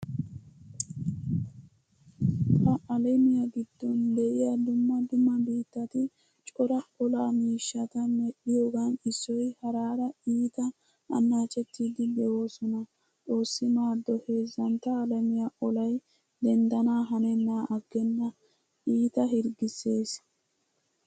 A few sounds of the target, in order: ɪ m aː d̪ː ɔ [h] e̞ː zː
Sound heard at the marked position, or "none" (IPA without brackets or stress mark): h